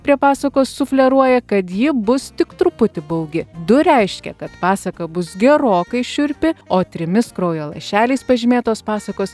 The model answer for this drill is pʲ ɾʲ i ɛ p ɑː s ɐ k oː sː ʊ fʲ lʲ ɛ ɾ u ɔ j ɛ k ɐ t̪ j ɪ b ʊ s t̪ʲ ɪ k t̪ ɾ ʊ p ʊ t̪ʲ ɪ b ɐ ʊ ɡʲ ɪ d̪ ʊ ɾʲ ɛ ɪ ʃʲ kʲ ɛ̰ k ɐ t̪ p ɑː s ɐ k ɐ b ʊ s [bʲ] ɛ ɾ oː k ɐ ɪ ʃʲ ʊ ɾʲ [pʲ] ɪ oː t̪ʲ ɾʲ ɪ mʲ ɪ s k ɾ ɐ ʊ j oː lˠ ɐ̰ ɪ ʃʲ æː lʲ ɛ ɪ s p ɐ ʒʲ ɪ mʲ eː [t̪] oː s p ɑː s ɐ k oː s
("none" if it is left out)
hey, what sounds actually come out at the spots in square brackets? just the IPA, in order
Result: ɡʲ, pʲ, t̪

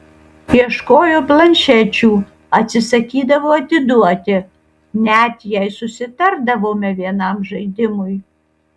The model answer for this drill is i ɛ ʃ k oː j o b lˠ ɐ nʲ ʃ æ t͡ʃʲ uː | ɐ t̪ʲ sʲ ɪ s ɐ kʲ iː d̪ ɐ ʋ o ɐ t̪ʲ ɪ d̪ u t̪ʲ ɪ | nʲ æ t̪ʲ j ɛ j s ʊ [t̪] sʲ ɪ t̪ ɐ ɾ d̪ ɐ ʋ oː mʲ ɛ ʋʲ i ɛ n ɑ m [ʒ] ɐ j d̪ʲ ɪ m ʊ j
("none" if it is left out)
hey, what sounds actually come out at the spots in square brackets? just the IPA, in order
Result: none, ʒ

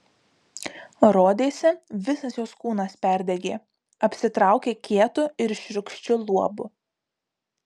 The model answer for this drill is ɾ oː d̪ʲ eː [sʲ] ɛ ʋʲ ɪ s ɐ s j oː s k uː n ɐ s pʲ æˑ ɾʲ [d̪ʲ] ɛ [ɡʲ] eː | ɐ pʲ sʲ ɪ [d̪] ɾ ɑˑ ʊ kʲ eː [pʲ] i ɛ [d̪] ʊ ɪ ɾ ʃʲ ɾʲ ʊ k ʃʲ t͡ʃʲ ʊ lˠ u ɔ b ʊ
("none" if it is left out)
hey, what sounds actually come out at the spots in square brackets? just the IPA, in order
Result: sʲ, d̪ʲ, ɡʲ, t̪, kʲ, t̪

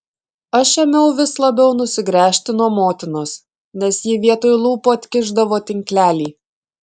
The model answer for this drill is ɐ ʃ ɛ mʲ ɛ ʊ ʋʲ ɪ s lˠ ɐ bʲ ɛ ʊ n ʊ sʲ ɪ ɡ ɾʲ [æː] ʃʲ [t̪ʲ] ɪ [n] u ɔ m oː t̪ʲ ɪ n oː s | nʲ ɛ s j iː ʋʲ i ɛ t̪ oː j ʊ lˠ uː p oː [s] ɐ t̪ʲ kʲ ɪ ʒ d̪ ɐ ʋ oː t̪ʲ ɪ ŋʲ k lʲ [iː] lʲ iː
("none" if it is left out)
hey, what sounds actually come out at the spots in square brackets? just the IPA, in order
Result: æː, t̪ʲ, n, none, æː

